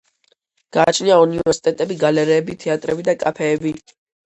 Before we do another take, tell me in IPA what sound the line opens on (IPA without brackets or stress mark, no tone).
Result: ɡ̥